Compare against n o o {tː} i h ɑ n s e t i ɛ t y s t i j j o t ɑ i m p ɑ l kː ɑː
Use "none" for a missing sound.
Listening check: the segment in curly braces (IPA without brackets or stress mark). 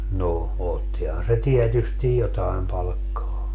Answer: tː